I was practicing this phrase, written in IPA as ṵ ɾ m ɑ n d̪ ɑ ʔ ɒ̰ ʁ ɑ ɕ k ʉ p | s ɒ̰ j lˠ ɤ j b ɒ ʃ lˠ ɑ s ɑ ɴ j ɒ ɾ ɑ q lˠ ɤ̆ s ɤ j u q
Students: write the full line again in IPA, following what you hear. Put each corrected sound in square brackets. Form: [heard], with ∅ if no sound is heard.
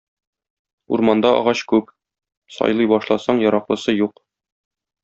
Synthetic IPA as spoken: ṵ ɾ m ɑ n d̪ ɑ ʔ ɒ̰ ʁ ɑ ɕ k ʉ p | s ɒ̰ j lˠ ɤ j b ɒ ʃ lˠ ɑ s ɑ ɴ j ɒ ɾ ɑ q lˠ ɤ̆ s ɤ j u q